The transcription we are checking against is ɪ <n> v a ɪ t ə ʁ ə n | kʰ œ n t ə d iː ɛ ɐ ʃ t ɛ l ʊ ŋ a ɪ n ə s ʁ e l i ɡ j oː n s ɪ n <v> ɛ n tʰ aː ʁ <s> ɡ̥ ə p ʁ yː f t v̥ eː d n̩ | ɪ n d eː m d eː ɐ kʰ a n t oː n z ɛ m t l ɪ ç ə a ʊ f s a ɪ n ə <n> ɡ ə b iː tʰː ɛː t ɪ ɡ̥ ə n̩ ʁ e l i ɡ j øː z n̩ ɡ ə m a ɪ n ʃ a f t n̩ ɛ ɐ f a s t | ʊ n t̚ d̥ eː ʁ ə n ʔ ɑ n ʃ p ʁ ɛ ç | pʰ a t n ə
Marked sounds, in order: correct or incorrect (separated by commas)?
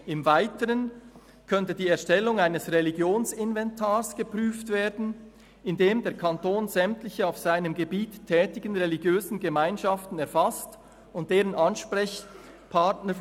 incorrect, correct, correct, incorrect